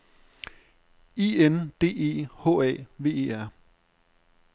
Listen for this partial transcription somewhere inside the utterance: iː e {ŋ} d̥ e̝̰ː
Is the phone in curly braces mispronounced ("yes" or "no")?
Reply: yes